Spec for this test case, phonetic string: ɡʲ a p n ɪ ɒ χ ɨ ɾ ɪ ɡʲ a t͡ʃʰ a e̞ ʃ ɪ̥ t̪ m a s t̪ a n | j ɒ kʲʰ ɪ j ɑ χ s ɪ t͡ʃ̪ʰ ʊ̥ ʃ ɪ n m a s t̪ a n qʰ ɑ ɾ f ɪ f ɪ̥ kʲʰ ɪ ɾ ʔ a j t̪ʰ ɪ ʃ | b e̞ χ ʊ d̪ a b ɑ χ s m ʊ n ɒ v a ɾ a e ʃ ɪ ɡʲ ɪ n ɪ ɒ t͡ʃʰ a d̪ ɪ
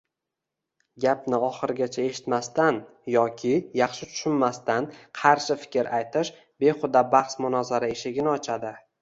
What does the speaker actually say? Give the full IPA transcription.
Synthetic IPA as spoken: ɡʲ a p n ɪ ɒ χ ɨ ɾ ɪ ɡʲ a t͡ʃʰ a e̞ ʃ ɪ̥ t̪ m a s t̪ a n | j ɒ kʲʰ ɪ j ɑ χ ʃ ɪ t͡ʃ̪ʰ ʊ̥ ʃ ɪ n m a s t̪ a n qʰ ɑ ɾ ʃ ɪ f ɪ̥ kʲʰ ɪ ɾ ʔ a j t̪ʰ ɪ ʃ | b e̞ χ ʊ d̪ a b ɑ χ s m ʊ n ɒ z a ɾ a e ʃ ɪ ɡʲ ɪ n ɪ ɒ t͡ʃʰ a d̪ ɪ